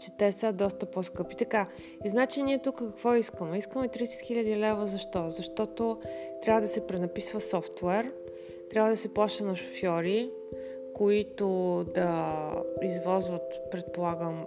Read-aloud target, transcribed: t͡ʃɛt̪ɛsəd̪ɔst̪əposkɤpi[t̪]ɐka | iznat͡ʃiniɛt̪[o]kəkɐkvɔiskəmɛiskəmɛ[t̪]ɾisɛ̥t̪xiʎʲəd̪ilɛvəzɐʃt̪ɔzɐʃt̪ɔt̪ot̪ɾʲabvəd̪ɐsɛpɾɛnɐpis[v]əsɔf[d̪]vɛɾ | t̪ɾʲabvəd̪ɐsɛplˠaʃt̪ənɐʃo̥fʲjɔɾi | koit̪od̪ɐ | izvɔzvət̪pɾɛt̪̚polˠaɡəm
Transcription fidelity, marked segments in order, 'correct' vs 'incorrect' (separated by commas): correct, incorrect, correct, correct, incorrect